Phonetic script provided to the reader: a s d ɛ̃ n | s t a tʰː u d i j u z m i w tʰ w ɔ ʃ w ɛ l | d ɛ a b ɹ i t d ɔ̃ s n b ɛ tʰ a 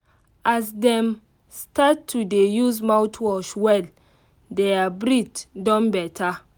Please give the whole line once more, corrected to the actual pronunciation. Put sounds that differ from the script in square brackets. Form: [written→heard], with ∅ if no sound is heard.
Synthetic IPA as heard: a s d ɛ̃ [n→m] | s t a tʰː u d [i→e] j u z m [i→a] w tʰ w ɔ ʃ w ɛ l | d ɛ a b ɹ i t d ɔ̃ [s→∅] n b ɛ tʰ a